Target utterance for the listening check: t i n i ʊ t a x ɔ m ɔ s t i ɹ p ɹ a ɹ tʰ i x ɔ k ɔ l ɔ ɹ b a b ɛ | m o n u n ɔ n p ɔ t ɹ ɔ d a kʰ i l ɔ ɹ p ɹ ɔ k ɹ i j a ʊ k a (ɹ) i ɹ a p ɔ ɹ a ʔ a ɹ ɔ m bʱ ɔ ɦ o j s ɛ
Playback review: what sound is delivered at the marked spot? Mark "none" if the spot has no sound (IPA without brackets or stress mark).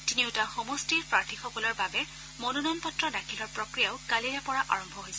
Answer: l